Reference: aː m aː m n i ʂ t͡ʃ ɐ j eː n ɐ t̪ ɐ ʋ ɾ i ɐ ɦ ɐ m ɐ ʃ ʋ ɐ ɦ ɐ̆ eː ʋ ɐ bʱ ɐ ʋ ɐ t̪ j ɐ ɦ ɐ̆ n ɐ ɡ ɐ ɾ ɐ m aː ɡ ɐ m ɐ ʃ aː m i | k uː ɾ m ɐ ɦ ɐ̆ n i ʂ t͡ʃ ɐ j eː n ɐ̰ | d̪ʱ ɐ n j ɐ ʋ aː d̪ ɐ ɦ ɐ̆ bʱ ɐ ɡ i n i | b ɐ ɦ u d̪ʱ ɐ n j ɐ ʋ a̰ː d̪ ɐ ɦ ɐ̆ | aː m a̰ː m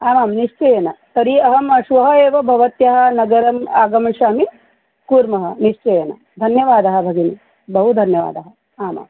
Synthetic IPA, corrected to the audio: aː m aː m n i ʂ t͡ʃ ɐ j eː n ɐ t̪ ɐ ɾ i ɐ ɦ ɐ m ɐ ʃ ʋ ɐ ɦ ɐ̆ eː ʋ ɐ bʱ ɐ ʋ ɐ t̪ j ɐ ɦ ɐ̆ n ɐ ɡ ɐ ɾ ɐ m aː ɡ ɐ m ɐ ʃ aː m i | k uː ɾ m ɐ ɦ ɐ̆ n i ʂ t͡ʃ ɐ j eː n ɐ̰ | d̪ʱ ɐ n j ɐ ʋ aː d̪ ɐ ɦ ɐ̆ bʱ ɐ ɡ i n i | b ɐ ɦ u d̪ʱ ɐ n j ɐ ʋ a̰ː d̪ ɐ ɦ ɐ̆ | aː m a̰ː m